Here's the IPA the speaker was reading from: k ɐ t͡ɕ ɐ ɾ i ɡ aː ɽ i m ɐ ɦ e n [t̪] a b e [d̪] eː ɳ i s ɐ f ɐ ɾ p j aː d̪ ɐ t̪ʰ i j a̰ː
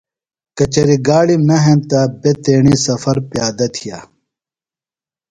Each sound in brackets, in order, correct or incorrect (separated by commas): correct, incorrect